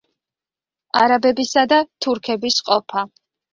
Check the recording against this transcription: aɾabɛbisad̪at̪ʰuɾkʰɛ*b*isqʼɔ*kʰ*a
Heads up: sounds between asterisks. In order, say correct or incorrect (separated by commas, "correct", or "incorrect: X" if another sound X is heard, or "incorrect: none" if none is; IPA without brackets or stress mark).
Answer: correct, incorrect: pʰ